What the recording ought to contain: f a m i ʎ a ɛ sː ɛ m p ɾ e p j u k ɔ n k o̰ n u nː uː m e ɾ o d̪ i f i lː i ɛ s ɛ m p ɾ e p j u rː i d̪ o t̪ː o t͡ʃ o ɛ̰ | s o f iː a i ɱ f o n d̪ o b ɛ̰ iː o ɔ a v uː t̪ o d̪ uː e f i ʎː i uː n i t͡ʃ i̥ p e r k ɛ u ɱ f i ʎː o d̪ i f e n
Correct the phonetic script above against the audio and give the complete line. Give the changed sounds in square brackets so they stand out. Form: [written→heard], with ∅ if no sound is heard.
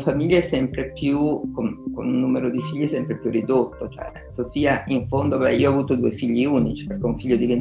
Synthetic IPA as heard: f a m i [ʎ→ʎː] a ɛ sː ɛ m p ɾ e p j u k [ɔ→o] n k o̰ n u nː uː m e ɾ o d̪ i f i [lː→ʎː] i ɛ s ɛ m p ɾ e p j u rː i d̪ o t̪ː o t͡ʃ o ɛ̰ | s o f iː a i ɱ f o n d̪ o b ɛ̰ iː o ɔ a v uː t̪ o d̪ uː e f i ʎː i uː n i t͡ʃ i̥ p e r k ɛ u ɱ f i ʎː o d̪ i [f→v] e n